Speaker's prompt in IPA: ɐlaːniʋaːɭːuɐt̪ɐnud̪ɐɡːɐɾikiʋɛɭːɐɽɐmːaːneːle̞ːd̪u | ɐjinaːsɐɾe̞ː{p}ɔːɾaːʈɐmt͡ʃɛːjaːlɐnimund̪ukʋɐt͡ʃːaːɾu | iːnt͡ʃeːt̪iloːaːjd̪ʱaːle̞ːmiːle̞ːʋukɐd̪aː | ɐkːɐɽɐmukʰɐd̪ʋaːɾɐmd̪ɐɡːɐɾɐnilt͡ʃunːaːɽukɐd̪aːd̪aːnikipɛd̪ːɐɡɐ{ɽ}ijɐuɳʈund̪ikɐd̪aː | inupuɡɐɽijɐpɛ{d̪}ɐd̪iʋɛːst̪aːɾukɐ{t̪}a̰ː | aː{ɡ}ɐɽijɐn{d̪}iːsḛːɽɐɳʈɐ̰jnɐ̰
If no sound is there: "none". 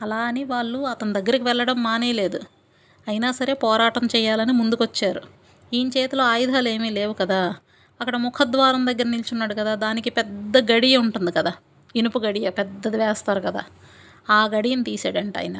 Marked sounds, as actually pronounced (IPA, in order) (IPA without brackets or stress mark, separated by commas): p, ɽ, d̪ː, d̪, ɡ, t̪